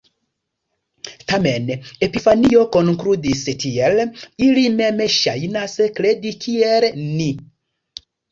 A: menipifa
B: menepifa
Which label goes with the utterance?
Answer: B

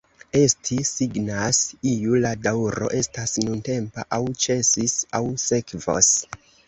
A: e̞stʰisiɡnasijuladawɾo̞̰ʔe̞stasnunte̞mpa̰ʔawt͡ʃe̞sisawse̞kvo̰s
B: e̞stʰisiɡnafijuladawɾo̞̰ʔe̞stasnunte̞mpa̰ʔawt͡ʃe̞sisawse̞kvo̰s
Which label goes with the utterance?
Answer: A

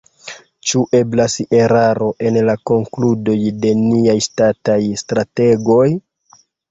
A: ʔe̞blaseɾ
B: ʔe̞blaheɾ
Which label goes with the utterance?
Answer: A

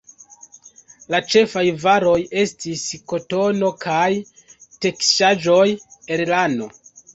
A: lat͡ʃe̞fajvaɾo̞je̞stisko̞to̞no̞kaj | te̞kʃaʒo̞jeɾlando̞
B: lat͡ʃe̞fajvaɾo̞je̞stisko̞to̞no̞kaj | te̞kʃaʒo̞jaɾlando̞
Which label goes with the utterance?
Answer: A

